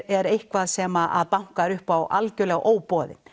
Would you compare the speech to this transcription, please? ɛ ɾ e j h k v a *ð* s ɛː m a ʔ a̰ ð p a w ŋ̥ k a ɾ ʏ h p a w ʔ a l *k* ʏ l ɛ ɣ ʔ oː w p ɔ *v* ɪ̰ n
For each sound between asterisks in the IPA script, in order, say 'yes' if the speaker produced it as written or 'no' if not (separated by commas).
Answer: yes, no, no